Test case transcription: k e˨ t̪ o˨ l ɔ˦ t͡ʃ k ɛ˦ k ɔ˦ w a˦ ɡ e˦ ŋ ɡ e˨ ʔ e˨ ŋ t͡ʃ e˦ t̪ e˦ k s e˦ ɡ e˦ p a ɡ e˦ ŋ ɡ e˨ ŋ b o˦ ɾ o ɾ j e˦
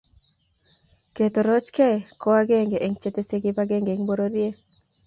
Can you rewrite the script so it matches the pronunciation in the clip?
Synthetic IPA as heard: k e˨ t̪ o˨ ɾ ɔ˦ t͡ʃ k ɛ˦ k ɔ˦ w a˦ ɡ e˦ ŋ ɡ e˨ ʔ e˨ ŋ t͡ʃ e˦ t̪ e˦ s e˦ ɡ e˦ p a ɡ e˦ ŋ ɡ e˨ ŋ b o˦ ɾ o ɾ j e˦